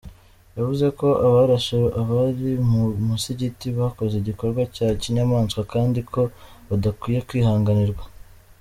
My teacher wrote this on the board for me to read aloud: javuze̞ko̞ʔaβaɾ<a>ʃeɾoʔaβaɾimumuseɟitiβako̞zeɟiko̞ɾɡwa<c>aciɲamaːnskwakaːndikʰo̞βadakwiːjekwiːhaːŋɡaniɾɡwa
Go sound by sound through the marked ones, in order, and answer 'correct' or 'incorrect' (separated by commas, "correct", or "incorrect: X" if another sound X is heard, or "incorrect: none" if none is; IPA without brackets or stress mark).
correct, correct